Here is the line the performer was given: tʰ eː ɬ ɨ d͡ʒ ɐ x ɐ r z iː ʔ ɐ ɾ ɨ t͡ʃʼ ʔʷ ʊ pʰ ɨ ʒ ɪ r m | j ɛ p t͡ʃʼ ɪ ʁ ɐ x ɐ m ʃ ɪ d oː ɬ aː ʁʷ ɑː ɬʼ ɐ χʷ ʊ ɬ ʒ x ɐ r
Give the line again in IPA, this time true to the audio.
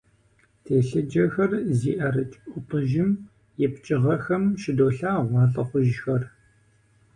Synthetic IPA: tʰ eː ɬ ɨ d͡ʒ ɐ x ɐ r z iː ʔ ɐ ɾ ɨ t͡ʃʼ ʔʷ ʊ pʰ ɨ ʒ ɪ m | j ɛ p t͡ʃʼ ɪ ʁ ɐ x ɐ m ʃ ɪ d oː ɬ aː ʁʷ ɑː ɬʼ ɐ χʷ ʊ ʒ x ɐ r